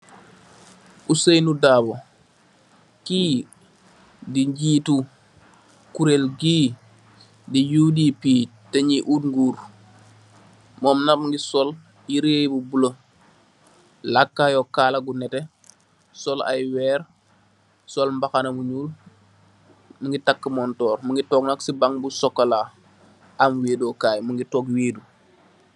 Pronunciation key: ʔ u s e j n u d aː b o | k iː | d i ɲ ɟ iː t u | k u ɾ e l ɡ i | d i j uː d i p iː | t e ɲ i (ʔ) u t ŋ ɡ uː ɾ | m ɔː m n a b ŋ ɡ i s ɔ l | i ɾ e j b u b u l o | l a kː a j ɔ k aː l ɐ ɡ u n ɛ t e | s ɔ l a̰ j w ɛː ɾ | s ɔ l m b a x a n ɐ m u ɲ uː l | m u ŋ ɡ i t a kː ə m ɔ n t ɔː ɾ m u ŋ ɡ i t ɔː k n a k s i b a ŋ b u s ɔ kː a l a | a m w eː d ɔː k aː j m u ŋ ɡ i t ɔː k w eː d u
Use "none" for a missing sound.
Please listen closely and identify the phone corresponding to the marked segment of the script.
ʔ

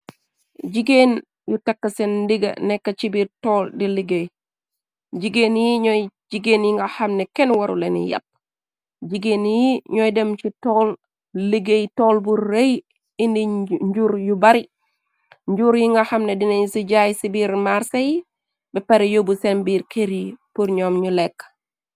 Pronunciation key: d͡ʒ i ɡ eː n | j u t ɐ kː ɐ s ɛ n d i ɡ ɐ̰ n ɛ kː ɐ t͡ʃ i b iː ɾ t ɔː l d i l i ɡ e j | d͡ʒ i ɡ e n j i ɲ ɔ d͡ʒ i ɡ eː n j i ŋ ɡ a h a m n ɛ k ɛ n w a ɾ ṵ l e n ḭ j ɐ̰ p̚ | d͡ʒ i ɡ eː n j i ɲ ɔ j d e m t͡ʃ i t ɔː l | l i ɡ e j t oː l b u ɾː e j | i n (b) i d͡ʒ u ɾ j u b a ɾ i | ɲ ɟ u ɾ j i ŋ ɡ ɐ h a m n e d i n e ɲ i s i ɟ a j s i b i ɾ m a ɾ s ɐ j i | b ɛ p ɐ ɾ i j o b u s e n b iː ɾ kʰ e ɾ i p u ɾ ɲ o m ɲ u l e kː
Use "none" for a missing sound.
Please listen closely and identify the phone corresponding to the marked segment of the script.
d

